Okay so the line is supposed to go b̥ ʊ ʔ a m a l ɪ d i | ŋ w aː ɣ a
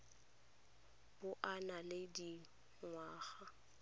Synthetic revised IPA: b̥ ʊ ʔ a n a l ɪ d i | ŋ w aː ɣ a